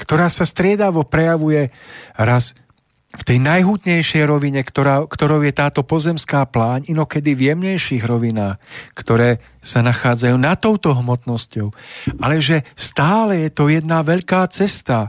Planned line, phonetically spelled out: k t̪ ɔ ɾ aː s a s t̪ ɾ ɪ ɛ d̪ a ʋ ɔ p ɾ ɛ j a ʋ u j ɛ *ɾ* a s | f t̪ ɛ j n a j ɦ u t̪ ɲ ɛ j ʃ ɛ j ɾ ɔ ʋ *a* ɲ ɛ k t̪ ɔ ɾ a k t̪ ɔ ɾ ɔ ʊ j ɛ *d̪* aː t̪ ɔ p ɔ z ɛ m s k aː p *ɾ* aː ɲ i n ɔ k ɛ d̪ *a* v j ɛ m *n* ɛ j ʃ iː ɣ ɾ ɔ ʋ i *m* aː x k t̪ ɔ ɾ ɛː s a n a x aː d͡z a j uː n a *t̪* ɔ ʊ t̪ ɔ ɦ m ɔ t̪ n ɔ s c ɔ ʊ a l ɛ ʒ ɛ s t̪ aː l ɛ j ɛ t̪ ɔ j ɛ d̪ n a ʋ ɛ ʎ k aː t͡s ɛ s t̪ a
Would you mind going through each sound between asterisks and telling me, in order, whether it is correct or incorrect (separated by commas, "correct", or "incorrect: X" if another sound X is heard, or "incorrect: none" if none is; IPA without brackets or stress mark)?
correct, incorrect: i, incorrect: t̪, incorrect: l, incorrect: i, incorrect: ɲ, incorrect: n, correct